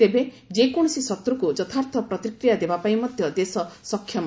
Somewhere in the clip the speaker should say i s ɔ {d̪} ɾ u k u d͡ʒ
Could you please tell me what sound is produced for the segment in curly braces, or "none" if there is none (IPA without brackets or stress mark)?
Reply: t̪